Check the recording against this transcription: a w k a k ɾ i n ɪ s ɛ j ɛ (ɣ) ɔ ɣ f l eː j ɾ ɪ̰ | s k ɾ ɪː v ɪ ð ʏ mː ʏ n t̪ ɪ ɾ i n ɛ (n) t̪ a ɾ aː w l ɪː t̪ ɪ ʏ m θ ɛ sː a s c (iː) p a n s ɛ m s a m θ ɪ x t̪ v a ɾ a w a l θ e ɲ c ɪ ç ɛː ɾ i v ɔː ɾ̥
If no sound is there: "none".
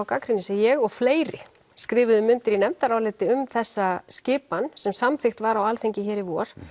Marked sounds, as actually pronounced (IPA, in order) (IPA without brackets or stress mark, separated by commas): ɣ, m, ɪː